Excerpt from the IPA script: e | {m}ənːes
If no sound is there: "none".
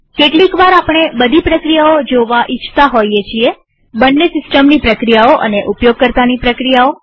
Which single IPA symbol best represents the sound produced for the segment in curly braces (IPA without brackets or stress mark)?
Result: b